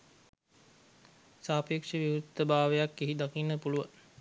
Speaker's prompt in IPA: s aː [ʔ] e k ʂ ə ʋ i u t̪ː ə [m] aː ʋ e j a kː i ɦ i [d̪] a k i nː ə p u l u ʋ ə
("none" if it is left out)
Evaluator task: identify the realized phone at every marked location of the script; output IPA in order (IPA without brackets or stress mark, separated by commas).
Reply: p, b, d̪